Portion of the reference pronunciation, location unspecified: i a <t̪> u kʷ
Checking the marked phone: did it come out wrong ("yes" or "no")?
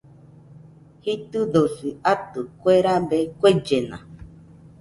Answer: no